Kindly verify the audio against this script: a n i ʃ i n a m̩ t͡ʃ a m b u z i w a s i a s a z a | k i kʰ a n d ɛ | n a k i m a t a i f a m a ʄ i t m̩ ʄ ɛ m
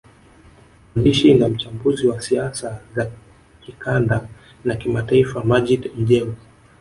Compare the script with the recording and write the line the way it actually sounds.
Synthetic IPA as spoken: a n i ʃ i n a m̩ t͡ʃ a m b u z i w a s i a s a z a | k i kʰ a n d a | n a k i m a t a i f a m a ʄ i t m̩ ʄ ɛ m